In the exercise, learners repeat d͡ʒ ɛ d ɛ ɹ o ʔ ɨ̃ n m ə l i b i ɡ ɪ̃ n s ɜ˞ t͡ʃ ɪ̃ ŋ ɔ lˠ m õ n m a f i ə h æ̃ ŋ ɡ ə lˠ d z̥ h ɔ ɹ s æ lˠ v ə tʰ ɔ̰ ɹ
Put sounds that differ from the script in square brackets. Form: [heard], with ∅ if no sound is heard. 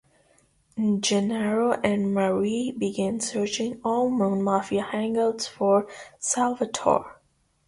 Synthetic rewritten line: d͡ʒ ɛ [n] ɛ ɹ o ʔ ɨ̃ n m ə [ɹ] i b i ɡ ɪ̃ n s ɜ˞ t͡ʃ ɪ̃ ŋ ɔ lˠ m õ n m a f i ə h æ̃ ŋ ɡ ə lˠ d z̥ [f] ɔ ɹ s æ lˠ v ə tʰ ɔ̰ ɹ